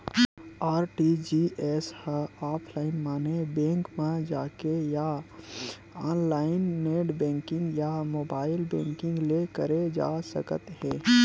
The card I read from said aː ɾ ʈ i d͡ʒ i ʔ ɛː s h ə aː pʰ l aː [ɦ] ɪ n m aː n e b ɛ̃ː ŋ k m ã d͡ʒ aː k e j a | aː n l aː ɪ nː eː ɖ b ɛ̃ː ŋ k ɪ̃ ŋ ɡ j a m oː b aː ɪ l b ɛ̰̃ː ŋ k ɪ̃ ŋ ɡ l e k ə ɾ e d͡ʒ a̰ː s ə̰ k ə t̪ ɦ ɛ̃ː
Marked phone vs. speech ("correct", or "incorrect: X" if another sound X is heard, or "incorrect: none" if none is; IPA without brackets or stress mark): incorrect: none